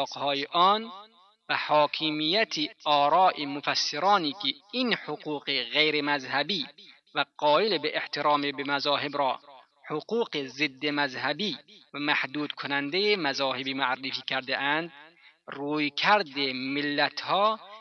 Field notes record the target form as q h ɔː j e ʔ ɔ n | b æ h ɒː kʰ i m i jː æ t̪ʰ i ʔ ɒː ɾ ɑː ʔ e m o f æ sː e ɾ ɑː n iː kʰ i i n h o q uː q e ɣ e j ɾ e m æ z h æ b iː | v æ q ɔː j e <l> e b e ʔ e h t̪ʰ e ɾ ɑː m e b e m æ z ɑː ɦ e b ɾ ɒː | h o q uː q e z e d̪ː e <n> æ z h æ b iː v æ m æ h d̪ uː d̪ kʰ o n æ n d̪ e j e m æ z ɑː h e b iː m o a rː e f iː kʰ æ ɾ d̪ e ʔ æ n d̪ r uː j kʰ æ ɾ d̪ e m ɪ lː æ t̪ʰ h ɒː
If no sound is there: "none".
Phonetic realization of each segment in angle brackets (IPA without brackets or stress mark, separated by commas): l, m